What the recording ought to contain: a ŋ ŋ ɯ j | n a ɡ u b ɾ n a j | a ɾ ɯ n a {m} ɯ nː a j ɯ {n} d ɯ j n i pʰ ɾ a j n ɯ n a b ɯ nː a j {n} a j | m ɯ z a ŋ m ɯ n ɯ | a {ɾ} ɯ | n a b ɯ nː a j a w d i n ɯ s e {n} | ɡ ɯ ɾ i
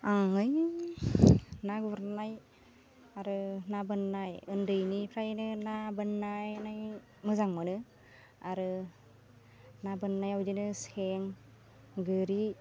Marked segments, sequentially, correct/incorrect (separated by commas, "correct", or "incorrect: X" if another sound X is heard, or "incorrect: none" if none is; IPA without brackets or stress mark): incorrect: b, correct, correct, correct, incorrect: ŋ